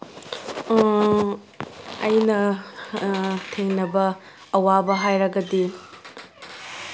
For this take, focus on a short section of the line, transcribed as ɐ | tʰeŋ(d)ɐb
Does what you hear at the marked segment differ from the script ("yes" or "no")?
yes